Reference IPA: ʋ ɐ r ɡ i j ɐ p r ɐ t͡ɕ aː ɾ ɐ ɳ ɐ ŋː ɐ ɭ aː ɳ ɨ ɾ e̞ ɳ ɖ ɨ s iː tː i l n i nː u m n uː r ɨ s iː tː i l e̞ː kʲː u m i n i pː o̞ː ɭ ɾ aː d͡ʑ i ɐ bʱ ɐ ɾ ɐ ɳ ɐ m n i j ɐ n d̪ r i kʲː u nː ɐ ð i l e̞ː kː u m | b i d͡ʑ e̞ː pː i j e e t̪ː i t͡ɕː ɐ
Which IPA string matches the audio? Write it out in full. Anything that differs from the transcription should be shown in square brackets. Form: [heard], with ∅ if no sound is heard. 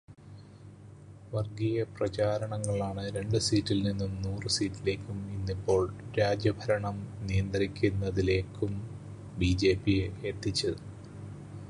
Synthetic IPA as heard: ʋ ɐ r ɡ i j ɐ p r ɐ t͡ɕ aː ɾ ɐ ɳ ɐ ŋː ɐ ɭ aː ɳ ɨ ɾ e̞ ɳ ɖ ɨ s iː tː i l n i nː u m n uː r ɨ s iː tː i l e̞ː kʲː u m i [nː] i pː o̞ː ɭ ɾ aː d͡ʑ [j] ɐ bʱ ɐ ɾ ɐ ɳ ɐ m n i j ɐ n d̪ r i kʲː u nː ɐ ð i l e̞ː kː u m | b i d͡ʑ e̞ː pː i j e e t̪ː i t͡ɕː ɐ